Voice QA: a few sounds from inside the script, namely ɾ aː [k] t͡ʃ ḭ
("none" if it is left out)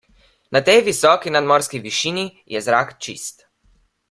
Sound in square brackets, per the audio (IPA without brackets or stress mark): k